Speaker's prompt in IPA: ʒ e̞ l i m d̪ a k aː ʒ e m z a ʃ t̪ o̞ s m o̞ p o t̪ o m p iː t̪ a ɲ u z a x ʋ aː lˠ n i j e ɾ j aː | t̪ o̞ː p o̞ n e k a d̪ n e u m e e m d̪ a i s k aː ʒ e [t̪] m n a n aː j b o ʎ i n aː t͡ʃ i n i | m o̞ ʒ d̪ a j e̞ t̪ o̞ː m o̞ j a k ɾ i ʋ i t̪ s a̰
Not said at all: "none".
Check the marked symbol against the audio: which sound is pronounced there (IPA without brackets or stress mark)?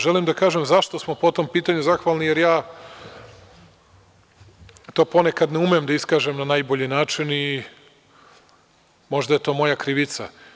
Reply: none